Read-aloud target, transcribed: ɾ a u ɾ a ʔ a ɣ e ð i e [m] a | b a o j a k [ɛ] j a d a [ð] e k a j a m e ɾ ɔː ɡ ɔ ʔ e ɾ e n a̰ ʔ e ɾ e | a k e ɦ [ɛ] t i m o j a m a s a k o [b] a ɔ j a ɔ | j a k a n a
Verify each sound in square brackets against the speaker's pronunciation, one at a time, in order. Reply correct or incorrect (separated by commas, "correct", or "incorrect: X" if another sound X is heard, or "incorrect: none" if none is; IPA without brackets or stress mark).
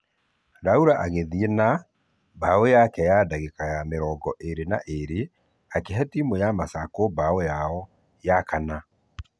incorrect: n, correct, incorrect: ɣ, correct, correct